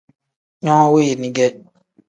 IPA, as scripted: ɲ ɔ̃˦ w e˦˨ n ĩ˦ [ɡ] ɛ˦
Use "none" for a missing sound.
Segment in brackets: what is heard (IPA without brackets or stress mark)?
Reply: ɡ